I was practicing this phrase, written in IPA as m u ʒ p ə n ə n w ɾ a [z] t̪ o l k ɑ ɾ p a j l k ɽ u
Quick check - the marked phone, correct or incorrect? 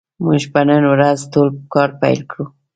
correct